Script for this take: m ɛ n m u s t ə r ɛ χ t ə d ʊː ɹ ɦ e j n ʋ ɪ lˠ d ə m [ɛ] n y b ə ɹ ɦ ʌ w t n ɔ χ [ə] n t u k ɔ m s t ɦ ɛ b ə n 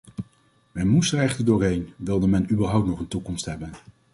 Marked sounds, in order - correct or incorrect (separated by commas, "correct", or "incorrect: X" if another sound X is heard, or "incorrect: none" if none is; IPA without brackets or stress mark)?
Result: correct, correct